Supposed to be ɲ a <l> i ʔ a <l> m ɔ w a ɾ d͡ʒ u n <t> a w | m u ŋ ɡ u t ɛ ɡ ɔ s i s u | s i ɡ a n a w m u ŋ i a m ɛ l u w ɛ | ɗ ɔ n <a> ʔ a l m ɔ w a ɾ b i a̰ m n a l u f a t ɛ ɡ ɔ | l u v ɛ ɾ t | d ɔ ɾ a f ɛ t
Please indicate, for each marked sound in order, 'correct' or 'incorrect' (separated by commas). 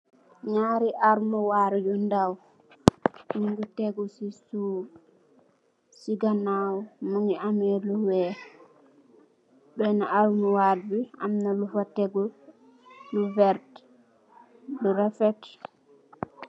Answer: incorrect, incorrect, incorrect, correct